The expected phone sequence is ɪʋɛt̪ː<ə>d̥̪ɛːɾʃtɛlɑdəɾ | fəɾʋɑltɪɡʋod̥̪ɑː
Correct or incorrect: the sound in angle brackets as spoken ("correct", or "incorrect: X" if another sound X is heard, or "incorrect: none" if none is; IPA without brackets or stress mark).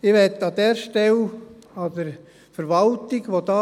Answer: incorrect: ɑ